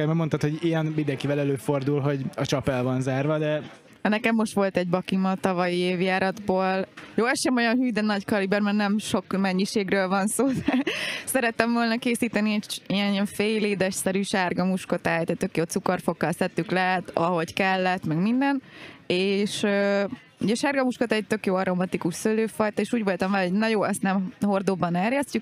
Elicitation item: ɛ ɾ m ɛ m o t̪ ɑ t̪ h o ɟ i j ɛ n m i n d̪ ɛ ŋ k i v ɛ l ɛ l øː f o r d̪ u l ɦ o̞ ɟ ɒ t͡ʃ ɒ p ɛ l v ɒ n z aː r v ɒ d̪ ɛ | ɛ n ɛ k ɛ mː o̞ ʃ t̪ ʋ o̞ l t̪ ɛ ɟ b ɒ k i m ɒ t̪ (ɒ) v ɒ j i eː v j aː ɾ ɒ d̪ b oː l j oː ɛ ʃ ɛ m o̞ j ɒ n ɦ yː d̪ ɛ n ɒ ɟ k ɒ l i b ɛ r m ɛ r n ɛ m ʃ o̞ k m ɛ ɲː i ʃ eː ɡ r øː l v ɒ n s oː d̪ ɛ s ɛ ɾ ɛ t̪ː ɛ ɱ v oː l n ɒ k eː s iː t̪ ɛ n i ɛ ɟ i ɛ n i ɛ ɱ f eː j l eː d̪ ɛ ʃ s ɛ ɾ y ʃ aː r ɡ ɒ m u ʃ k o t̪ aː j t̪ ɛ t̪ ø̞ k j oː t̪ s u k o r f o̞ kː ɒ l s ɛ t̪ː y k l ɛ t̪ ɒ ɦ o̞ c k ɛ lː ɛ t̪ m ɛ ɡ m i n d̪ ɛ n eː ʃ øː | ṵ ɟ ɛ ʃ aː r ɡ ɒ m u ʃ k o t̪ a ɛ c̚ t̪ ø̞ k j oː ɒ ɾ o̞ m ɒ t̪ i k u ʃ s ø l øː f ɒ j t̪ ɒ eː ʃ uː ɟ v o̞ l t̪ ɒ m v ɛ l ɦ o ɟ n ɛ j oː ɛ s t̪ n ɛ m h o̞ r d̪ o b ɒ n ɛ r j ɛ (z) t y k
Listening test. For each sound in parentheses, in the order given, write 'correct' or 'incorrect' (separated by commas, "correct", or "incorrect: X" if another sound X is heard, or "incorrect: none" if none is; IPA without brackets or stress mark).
correct, incorrect: s